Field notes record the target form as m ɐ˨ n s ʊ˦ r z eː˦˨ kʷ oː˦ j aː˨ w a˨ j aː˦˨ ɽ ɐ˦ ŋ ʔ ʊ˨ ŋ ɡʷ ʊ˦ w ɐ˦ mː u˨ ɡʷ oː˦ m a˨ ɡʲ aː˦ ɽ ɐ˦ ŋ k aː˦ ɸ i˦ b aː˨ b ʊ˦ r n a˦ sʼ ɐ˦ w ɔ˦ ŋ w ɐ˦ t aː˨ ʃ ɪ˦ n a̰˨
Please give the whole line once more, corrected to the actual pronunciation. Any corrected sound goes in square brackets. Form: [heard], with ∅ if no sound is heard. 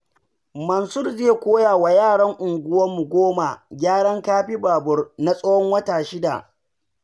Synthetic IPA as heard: m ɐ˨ n s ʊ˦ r z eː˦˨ kʷ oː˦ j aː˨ w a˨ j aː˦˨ ɽ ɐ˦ ŋ ʔ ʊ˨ ŋ ɡʷ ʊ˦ w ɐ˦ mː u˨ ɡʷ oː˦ m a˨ ɡʲ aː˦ ɽ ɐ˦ ŋ k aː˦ ɸ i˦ b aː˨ b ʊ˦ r n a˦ sʼ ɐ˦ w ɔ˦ ŋ w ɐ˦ t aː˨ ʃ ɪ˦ [d] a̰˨